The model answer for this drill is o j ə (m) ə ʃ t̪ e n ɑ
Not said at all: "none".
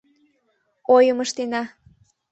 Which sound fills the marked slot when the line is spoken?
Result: m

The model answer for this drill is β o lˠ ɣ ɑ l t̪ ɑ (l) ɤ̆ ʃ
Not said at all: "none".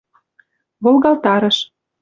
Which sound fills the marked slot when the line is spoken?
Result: ɾ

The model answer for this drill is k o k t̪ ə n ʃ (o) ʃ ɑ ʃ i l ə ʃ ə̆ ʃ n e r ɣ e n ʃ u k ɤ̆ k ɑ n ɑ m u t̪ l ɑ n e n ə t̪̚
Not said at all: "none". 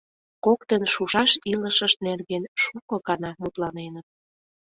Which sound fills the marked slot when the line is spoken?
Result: u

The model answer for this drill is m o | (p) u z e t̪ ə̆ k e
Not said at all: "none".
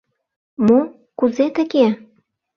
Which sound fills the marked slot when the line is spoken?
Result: k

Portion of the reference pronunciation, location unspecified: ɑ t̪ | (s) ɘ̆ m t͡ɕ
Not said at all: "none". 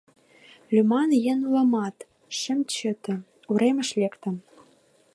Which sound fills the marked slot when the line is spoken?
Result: ʃ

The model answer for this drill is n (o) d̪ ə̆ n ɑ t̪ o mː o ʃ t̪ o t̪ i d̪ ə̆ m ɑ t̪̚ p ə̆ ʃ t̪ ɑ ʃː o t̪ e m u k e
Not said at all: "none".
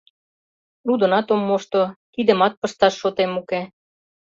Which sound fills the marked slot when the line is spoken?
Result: u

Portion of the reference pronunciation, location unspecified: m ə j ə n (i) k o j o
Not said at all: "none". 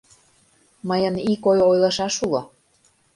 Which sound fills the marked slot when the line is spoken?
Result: i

